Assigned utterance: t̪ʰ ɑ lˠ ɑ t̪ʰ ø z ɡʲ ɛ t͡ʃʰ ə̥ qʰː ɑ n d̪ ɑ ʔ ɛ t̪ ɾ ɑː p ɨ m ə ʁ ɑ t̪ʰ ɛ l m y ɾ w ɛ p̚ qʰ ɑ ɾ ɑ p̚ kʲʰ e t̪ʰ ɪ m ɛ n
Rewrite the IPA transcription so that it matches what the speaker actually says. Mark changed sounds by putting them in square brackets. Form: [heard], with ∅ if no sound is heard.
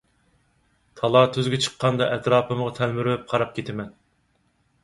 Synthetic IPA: t̪ʰ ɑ lˠ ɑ t̪ʰ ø z ɡʲ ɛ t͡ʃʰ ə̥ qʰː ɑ n d̪ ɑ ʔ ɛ t̪ ɾ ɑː p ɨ m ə ʁ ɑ t̪ʰ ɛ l m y ɾ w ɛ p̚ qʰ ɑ ɾ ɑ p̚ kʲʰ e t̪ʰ ɪ m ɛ n

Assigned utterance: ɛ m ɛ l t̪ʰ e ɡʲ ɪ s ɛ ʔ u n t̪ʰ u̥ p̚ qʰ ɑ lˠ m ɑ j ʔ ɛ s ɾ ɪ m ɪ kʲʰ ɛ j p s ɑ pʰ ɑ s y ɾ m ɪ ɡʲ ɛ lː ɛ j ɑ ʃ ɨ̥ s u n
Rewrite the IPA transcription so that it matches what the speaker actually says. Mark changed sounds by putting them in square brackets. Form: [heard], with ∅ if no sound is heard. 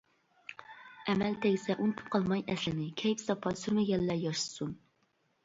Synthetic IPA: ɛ m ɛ l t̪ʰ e ɡʲ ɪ s ɛ ʔ u n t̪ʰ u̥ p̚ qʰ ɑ lˠ m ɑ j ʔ ɛ s [l] ɪ [n] ɪ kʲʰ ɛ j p s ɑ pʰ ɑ s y ɾ m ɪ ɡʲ ɛ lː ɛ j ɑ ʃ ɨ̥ s u n

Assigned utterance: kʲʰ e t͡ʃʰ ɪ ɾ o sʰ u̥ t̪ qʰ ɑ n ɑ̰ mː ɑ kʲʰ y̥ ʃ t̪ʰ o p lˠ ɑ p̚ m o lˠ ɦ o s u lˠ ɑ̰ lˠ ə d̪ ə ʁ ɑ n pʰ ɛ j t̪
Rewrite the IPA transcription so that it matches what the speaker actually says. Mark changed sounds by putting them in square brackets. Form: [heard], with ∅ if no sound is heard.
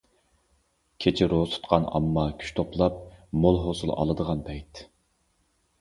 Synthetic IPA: kʲʰ e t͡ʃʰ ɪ ɾ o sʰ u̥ t̪ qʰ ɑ n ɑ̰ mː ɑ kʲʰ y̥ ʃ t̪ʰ o p lˠ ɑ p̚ m o lˠ ɦ o s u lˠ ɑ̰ lˠ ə d̪ ə ʁ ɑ n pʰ ɛ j t̪

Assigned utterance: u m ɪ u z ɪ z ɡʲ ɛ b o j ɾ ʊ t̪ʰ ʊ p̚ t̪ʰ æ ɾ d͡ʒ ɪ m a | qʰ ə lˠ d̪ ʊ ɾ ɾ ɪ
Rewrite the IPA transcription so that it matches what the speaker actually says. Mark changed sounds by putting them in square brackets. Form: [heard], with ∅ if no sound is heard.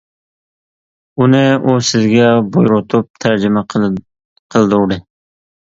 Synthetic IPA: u [n] ɪ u [s] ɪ z ɡʲ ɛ b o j ɾ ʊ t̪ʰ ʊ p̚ t̪ʰ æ ɾ d͡ʒ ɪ m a | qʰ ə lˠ d̪ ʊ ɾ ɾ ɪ

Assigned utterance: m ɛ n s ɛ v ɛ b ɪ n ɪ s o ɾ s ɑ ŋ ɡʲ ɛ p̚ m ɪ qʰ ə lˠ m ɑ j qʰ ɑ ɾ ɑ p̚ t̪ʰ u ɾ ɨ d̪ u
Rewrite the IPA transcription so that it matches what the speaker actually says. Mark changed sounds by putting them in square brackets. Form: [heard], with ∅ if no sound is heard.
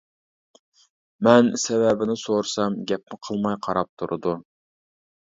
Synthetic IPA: m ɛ n s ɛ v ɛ b ɪ n ɪ s o ɾ s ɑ [m] ɡʲ ɛ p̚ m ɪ qʰ ə lˠ m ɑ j qʰ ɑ ɾ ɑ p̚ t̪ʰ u ɾ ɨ d̪ u

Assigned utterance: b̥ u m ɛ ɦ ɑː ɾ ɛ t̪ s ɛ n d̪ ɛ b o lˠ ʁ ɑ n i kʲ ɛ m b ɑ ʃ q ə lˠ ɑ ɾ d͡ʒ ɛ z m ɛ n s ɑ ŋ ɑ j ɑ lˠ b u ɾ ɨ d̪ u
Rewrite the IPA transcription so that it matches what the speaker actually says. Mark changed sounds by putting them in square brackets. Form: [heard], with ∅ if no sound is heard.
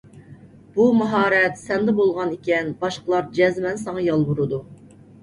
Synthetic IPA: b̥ u m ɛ ɦ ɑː ɾ ɛ t̪ s ɛ n d̪ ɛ b o lˠ ʁ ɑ n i kʲ ɛ [n] b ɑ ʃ q ə lˠ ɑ ɾ d͡ʒ ɛ z m ɛ n s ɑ ŋ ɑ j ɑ lˠ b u ɾ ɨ d̪ u

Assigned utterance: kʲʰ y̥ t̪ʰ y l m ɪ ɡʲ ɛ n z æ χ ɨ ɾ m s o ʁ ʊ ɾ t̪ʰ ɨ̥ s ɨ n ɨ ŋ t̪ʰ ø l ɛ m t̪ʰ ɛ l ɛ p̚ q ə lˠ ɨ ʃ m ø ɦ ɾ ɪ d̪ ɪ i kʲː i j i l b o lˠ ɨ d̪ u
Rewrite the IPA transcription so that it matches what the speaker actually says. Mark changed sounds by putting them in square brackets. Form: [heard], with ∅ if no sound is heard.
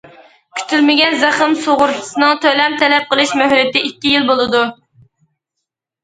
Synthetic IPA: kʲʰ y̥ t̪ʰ y l m ɪ ɡʲ ɛ n z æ χ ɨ [∅] m s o ʁ ʊ ɾ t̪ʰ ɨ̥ s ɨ n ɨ ŋ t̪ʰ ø l ɛ m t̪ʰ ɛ l ɛ p̚ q ə lˠ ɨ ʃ m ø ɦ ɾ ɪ [t̪] ɪ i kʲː i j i l b o lˠ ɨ d̪ u

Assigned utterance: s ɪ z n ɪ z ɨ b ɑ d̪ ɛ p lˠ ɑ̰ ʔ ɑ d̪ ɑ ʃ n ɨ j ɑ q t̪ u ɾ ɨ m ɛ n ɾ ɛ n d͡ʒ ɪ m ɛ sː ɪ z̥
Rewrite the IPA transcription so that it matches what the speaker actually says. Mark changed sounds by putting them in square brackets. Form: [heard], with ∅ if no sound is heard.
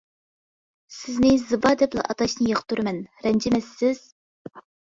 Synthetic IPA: s ɪ z n ɪ z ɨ b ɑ d̪ ɛ p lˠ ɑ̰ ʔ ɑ [t̪] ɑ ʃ n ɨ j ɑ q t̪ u ɾ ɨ m ɛ n ɾ ɛ n d͡ʒ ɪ m ɛ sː ɪ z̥

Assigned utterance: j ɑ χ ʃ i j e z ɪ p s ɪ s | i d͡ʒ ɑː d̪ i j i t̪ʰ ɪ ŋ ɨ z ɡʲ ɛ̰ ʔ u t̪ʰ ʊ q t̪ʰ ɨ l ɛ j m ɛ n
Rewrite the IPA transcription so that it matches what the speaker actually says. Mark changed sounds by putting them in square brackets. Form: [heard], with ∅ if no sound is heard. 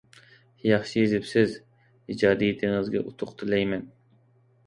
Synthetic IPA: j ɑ χ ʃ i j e z ɪ p s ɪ [z] | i d͡ʒ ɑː d̪ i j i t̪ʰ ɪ ŋ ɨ z ɡʲ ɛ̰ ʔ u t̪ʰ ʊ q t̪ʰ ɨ l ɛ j m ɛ n

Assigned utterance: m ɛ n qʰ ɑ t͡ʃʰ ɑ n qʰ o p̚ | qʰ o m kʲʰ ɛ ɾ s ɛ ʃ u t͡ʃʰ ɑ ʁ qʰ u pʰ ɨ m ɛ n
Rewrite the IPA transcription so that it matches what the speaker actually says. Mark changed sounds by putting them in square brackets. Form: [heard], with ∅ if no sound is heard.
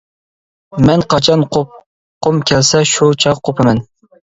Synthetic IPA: m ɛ n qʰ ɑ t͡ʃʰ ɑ n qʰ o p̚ | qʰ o m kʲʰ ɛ [l] s ɛ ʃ u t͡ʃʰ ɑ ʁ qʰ [o] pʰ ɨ m ɛ n

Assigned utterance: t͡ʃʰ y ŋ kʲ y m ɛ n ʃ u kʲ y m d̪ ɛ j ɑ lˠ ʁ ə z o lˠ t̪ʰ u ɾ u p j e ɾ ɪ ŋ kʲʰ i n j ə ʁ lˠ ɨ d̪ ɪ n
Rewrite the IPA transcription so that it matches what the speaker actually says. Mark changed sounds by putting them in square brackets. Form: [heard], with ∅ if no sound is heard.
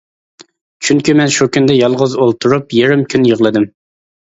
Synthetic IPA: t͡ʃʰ y ŋ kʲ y m ɛ n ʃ u kʲ y [n] d̪ ɛ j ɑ lˠ ʁ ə z o lˠ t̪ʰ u ɾ u p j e ɾ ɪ [m] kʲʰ [y] n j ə ʁ lˠ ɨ d̪ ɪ [m]

